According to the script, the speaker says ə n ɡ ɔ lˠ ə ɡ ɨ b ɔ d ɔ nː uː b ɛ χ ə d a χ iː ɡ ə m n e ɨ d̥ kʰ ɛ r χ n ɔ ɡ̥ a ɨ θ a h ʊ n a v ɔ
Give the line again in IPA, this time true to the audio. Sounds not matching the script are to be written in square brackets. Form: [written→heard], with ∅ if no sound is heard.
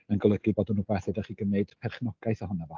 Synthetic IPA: ə n ɡ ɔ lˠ ə ɡ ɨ b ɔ d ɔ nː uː b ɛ [χ→θ] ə d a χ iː ɡ ə m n e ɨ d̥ [kʰ→pʰ] ɛ r χ n ɔ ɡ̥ a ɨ θ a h ʊ n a v ɔ